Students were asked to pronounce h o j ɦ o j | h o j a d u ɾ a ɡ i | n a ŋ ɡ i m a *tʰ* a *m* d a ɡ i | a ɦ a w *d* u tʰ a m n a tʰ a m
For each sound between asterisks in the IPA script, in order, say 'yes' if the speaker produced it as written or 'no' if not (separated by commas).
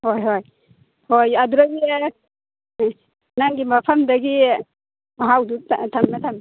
no, yes, yes